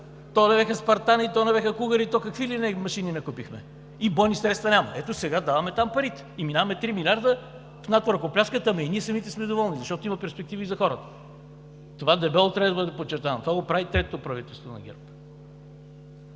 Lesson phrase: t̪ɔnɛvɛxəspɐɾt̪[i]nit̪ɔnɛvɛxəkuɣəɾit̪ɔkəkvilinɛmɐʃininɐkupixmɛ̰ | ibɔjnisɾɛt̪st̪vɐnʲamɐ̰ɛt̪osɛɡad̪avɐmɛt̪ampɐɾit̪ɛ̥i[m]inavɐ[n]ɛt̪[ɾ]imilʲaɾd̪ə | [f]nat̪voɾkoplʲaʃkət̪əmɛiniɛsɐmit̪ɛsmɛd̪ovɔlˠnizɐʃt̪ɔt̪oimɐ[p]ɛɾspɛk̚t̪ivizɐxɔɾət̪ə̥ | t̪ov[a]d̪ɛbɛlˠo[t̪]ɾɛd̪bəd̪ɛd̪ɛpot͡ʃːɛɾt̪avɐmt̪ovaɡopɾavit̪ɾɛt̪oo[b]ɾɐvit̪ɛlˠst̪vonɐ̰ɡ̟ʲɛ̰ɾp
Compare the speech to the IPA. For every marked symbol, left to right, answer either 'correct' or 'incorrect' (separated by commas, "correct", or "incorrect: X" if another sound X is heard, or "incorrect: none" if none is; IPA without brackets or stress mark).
incorrect: a, correct, incorrect: m, correct, correct, correct, correct, correct, incorrect: p